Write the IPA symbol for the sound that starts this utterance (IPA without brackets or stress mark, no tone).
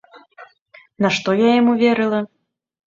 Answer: n